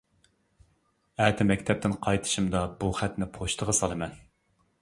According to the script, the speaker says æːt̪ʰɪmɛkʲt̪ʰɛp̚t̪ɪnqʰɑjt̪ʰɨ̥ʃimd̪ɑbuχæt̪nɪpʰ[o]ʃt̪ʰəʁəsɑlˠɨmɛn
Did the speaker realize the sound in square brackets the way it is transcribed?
yes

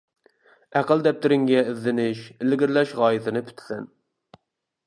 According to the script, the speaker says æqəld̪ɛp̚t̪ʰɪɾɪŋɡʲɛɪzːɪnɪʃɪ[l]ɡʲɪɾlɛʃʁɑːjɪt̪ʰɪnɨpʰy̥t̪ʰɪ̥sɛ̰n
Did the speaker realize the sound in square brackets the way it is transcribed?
yes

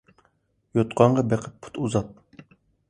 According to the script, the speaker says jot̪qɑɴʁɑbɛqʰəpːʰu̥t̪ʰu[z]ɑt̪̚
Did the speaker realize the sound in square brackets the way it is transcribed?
yes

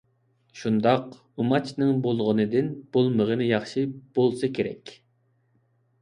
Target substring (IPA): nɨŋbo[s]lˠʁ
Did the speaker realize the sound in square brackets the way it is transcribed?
no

